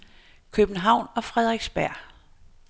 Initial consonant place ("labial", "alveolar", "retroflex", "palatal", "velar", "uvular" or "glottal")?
velar